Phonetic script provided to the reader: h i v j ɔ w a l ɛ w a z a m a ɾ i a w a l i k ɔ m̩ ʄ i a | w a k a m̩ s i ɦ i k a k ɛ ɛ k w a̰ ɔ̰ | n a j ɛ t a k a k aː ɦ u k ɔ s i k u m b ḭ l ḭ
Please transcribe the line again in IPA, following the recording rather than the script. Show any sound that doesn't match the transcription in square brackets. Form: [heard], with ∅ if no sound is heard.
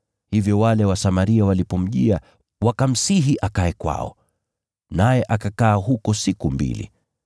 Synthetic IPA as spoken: h i v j ɔ w a l ɛ w a [s] a m a ɾ i a w a l i [p] ɔ m̩ ʄ i a | w a k a m̩ s i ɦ i [ʔ] a k [a] ɛ k w a̰ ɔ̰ | n a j ɛ [ʔ] a k a k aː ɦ u k ɔ s i k u m b ḭ l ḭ

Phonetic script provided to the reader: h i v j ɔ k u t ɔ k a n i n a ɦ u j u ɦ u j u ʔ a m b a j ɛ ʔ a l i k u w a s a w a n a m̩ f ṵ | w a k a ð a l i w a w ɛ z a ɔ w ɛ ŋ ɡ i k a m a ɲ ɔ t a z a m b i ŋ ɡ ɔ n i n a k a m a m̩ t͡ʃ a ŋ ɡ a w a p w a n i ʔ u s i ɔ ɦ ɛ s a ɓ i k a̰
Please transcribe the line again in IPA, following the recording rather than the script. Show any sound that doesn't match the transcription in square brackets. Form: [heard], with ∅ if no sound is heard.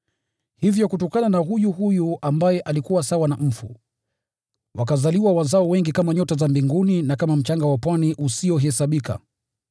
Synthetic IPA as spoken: h i v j ɔ k u t ɔ k a n [a] n a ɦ u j u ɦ u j u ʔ a m b a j ɛ ʔ a l i k u w a s a w a n a m̩ f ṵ | w a k a [z] a l i w a w [a] z a ɔ w ɛ ŋ ɡ i k a m a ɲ ɔ t a z a m b i ŋ ɡ [u] n i n a k a m a m̩ t͡ʃ a ŋ ɡ a w a p w a n i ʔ u s i ɔ ɦ ɛ s a ɓ i k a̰

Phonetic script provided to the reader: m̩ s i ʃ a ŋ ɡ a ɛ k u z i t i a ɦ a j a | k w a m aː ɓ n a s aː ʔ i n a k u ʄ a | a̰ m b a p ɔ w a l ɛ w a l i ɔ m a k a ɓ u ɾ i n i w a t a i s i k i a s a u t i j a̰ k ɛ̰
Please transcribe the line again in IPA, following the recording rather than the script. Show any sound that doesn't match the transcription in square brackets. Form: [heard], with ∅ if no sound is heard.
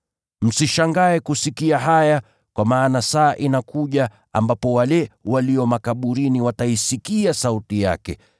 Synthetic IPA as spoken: m̩ s i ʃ a ŋ ɡ a ɛ k u [s] i [k] i a ɦ a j a | k w a m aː [∅] n a s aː ʔ i n a k u ʄ a | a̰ m b a p ɔ w a l ɛ w a l i ɔ m a k a ɓ u ɾ i n i w a t a i s i k i a s a u t i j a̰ k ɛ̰

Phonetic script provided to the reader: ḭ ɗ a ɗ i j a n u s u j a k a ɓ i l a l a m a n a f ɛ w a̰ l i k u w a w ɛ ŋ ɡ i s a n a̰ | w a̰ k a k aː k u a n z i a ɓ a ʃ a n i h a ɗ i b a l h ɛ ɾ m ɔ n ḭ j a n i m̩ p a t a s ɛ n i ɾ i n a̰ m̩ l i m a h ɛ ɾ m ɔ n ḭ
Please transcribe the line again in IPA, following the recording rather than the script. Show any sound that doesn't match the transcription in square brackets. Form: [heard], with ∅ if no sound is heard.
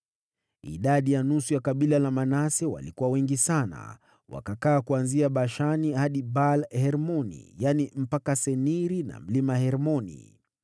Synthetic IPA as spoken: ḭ ɗ a ɗ i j a n u s u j a k a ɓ i l a l a m a n a [s] ɛ w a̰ l i k u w a w ɛ ŋ ɡ i s a n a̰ | w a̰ k a k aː k u a n z i a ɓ a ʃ a n i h a ɗ i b a l h ɛ ɾ m ɔ n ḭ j a n i m̩ p a [k] a s ɛ n i ɾ i n a̰ m̩ l i m a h ɛ ɾ m ɔ n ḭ

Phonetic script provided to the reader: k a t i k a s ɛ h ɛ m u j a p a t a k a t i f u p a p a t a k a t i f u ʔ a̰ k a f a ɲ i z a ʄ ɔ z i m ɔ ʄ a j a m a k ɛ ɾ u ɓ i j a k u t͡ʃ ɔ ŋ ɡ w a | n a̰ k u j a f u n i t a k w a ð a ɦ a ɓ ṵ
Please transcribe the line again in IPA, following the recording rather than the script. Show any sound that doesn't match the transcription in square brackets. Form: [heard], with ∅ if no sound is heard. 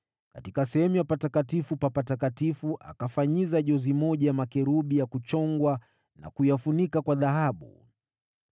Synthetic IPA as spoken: k a t i k a s ɛ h ɛ m u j a p a t a k a t i f u p a p a t a k a t i f u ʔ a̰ k a f a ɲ i z a ʄ ɔ z i m ɔ ʄ a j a m a k ɛ ɾ u ɓ i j a k u t͡ʃ ɔ ŋ ɡ w a | n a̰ k u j a f u n i [k] a k w a ð a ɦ a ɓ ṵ

